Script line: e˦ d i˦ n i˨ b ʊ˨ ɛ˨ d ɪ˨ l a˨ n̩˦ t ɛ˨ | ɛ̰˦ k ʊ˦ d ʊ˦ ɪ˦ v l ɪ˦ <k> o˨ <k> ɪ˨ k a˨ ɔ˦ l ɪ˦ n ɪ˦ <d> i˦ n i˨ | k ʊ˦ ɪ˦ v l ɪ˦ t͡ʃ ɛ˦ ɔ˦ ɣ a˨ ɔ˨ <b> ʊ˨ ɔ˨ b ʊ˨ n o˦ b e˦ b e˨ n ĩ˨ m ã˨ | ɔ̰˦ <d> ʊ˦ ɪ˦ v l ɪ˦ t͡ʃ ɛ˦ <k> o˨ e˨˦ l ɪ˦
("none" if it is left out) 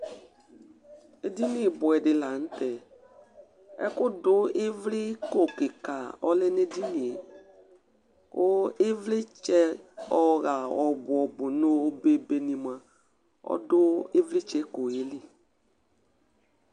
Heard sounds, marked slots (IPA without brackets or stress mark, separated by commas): k, k, d, b, d, k